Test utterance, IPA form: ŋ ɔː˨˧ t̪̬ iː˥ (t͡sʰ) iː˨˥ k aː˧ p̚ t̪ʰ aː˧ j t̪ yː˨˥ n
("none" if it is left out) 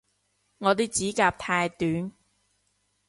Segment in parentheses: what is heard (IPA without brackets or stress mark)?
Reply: t͡s